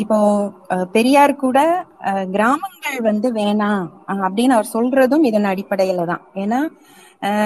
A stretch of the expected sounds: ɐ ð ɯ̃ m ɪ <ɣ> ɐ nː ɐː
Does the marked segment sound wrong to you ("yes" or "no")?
yes